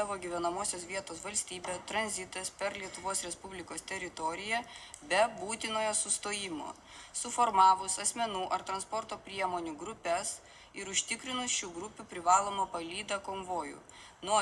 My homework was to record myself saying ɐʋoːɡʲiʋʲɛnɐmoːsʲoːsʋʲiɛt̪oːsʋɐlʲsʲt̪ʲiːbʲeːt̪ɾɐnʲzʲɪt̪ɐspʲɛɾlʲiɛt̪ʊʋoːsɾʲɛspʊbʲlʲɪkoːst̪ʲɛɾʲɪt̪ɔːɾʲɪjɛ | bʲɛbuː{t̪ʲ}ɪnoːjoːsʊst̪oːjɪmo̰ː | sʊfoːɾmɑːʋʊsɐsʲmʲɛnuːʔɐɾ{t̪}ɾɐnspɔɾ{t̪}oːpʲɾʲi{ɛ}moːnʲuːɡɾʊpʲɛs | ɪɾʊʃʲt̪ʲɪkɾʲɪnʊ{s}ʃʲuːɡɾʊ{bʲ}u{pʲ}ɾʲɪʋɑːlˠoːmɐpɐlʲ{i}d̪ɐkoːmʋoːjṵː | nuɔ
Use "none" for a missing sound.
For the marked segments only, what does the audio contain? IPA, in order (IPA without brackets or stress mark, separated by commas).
t̪ʲ, t̪, t̪, ɛ, s, pʲ, pʲ, iː